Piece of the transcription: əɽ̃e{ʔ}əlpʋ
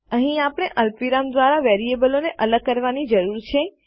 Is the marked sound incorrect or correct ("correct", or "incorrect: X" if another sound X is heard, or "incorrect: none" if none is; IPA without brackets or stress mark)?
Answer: correct